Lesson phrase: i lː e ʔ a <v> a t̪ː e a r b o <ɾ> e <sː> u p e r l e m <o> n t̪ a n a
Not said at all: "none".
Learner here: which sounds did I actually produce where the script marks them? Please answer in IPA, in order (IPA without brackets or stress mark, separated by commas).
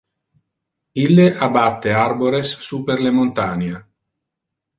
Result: b, ɾ, sː, o